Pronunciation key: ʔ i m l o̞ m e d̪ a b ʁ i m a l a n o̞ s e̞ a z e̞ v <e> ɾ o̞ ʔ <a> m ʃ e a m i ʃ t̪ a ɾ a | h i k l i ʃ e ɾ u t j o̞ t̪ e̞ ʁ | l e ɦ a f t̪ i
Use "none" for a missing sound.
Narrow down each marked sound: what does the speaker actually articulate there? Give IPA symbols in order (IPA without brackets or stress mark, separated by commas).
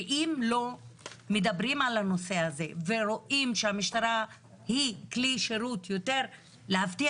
e, i